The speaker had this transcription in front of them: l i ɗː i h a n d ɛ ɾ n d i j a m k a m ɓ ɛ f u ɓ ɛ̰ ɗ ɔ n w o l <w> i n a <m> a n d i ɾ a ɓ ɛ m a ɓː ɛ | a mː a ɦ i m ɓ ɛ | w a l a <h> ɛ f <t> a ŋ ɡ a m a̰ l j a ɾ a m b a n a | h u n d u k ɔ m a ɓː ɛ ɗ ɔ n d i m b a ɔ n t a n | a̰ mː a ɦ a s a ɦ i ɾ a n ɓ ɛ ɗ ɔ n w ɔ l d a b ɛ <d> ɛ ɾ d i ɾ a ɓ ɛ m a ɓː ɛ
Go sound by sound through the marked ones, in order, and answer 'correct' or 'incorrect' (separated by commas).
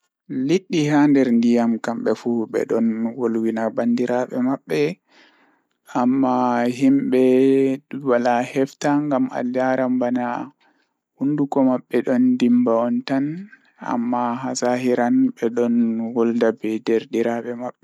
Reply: correct, incorrect, correct, correct, correct